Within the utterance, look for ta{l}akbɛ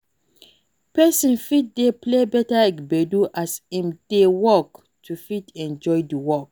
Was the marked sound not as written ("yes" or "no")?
no